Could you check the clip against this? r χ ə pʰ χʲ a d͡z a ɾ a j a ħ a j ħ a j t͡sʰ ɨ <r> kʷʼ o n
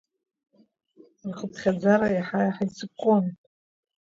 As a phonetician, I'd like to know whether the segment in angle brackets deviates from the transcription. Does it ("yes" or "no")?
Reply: yes